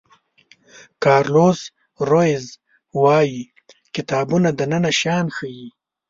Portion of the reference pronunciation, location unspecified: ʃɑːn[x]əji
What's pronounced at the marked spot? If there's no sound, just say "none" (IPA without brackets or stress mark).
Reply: x